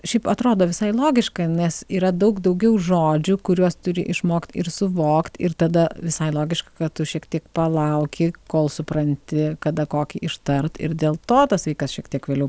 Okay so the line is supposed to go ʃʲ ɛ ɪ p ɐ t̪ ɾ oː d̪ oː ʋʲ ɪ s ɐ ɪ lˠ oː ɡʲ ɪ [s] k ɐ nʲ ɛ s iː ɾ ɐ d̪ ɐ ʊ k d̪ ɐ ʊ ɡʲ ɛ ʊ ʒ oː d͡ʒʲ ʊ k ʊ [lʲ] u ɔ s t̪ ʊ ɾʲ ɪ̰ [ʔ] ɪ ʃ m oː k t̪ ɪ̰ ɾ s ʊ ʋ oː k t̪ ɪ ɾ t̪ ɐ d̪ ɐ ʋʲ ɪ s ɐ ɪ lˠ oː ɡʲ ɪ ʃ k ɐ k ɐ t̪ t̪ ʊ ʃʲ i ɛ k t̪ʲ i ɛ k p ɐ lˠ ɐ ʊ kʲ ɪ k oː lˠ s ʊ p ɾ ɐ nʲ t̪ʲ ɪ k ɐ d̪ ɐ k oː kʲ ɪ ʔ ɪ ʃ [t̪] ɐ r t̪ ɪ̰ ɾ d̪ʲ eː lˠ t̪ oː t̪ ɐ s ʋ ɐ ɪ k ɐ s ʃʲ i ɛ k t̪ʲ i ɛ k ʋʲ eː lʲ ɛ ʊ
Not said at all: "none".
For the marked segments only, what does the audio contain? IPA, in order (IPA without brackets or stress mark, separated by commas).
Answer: ʃ, ɾʲ, ʔ, t̪